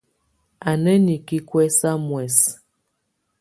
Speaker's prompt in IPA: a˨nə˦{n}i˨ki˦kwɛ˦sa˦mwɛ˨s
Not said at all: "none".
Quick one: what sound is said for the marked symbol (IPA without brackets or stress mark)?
n